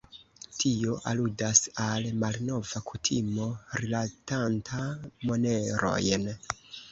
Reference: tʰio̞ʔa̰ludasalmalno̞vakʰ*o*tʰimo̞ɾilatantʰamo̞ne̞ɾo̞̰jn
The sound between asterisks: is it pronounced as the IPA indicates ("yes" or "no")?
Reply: no